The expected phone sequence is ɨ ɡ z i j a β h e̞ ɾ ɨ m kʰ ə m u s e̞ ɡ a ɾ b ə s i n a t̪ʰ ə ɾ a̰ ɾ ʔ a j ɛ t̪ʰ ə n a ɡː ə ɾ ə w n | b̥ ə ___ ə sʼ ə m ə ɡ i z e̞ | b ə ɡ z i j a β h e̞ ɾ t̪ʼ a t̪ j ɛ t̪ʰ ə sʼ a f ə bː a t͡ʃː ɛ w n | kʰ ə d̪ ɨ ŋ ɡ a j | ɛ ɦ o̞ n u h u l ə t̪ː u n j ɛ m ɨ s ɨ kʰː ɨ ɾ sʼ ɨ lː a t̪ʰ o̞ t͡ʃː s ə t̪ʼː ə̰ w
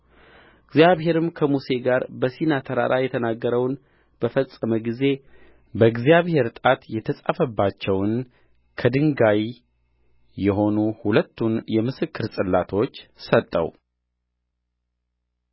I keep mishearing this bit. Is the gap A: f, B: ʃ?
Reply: A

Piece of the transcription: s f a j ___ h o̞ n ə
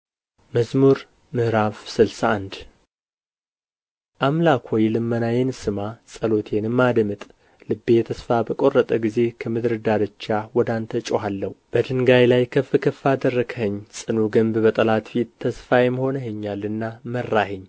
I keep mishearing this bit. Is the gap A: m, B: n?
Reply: A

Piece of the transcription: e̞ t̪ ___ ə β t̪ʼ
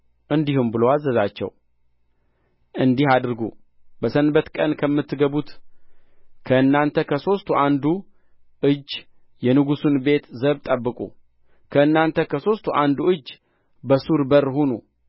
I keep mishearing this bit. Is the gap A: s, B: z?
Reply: B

